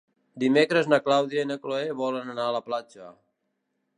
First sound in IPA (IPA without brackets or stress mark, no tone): d̪